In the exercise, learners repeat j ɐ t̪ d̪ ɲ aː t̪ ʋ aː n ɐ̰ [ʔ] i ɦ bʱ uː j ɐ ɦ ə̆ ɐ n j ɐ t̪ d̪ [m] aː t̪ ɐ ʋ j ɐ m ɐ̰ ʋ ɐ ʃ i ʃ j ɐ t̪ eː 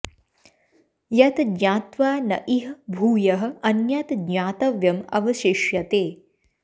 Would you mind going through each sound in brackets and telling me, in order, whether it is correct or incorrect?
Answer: correct, incorrect

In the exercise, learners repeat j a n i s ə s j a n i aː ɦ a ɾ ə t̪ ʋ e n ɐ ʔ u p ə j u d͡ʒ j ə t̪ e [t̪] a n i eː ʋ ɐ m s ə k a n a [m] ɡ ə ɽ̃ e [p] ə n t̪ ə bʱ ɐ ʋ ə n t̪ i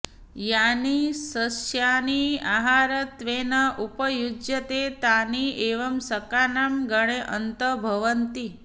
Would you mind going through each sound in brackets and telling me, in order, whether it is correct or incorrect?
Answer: correct, correct, incorrect

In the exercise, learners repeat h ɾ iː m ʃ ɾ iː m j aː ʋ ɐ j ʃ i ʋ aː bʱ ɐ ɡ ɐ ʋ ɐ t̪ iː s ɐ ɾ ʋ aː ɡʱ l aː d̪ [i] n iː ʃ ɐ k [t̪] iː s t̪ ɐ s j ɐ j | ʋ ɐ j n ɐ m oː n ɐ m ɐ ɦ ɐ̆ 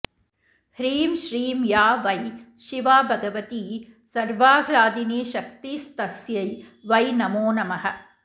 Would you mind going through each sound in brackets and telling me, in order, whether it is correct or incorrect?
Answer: correct, correct

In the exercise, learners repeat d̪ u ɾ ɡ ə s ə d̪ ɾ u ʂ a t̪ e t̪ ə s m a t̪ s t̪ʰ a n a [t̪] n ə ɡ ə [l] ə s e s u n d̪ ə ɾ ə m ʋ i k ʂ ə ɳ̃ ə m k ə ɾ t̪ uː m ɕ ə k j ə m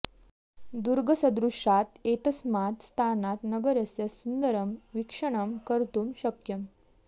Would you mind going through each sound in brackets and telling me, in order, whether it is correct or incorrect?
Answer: correct, incorrect

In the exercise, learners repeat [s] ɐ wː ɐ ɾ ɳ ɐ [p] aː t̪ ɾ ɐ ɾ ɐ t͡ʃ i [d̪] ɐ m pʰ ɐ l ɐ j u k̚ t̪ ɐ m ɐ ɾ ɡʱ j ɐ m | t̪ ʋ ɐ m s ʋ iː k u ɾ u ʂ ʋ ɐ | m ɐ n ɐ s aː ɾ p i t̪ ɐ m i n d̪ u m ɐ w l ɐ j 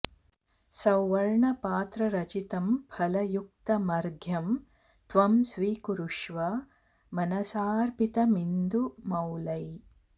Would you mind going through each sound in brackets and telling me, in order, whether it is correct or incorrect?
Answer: correct, correct, incorrect

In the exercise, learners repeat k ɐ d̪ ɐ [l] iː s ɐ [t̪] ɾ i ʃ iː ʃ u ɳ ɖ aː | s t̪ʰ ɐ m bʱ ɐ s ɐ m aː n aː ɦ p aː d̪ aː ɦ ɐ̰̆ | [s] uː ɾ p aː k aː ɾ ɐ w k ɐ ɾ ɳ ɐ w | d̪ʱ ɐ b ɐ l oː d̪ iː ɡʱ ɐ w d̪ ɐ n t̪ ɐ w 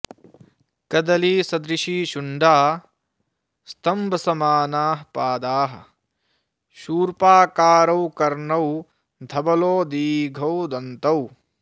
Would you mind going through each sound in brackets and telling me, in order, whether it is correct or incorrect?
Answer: correct, incorrect, incorrect

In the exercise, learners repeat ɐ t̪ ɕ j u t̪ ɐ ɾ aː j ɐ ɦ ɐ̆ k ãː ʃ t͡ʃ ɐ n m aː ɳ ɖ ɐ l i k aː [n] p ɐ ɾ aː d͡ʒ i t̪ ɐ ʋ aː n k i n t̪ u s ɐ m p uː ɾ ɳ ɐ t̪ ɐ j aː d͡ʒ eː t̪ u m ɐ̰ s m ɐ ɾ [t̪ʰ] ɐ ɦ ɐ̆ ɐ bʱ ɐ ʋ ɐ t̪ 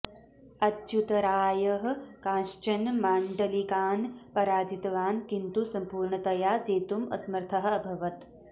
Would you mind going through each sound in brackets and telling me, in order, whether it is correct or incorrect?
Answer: correct, correct

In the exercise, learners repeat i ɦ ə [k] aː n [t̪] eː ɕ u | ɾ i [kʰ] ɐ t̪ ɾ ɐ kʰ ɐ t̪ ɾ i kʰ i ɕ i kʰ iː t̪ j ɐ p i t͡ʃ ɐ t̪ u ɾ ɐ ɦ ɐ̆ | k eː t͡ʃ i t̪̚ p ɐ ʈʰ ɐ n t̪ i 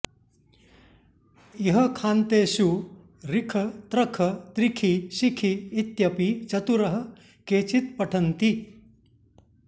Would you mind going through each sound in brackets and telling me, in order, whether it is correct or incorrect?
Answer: incorrect, correct, correct

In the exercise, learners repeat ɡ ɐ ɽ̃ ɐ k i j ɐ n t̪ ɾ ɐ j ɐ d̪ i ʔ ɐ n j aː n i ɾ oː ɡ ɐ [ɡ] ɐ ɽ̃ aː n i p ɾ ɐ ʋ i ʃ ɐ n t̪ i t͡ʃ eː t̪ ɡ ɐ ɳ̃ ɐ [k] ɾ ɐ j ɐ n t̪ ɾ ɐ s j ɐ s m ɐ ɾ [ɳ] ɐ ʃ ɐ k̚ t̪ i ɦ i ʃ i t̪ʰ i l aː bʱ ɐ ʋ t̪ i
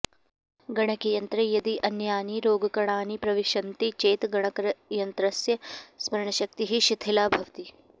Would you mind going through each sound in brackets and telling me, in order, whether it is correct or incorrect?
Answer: incorrect, correct, correct

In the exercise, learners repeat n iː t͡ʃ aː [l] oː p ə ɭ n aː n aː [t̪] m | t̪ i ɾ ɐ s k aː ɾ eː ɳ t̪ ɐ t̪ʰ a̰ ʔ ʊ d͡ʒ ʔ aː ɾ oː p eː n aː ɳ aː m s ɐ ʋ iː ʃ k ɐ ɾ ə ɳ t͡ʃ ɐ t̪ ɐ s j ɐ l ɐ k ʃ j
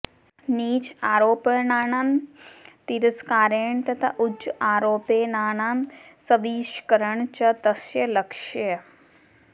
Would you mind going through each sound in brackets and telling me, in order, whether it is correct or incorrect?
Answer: incorrect, incorrect

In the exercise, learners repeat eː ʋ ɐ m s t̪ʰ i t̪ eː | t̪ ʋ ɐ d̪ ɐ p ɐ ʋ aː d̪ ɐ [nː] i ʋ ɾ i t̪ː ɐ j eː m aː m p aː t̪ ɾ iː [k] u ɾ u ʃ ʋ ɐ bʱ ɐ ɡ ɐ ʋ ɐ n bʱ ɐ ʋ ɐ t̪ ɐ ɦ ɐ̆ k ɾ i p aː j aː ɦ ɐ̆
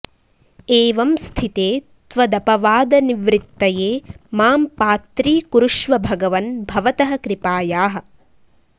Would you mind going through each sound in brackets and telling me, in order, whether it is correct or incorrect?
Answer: incorrect, correct

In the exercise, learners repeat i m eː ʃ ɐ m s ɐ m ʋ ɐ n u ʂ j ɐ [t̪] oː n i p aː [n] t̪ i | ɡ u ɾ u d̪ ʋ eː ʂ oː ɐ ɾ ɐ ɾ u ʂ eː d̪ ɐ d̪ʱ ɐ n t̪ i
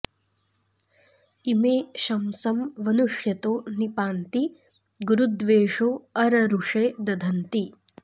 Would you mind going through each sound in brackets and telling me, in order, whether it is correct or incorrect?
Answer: correct, correct

